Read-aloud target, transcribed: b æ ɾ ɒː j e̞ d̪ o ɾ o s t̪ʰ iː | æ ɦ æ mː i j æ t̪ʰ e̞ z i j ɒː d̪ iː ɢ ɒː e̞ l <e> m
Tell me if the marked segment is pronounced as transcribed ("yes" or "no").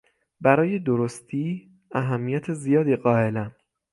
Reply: no